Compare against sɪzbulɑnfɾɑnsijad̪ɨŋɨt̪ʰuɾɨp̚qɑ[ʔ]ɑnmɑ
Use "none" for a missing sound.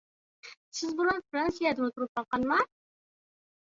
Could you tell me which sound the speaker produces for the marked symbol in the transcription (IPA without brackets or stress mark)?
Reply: q